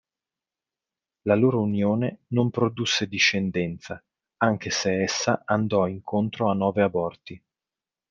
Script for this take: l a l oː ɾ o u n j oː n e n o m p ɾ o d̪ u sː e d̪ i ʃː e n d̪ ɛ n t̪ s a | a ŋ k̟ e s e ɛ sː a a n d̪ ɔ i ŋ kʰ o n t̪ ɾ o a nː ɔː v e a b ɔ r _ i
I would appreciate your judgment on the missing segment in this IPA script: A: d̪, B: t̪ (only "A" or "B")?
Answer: B